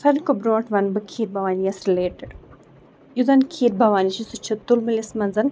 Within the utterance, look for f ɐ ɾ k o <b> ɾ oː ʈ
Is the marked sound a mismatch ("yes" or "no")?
no